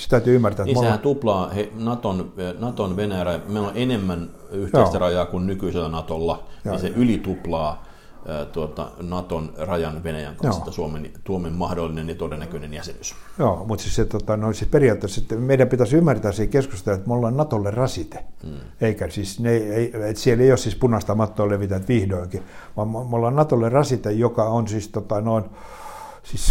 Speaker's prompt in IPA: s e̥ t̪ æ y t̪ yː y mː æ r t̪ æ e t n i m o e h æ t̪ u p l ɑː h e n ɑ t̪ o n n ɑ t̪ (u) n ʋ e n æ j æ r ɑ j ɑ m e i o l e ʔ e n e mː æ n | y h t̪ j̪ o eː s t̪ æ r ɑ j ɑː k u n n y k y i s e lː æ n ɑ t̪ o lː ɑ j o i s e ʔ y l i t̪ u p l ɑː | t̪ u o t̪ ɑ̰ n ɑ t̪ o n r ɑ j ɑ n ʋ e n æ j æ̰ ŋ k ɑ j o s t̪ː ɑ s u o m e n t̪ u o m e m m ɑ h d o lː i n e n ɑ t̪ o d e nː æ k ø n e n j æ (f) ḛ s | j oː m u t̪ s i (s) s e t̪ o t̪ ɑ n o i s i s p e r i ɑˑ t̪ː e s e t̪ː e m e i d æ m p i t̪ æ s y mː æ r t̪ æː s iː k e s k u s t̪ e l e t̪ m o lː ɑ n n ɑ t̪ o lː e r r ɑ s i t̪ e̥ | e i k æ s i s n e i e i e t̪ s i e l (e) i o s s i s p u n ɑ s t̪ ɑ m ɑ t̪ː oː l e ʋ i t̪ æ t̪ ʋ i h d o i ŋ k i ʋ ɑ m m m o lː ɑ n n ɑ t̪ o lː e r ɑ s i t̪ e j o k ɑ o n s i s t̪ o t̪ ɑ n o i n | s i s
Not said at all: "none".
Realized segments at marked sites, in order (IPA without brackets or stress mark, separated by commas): o, s, s, e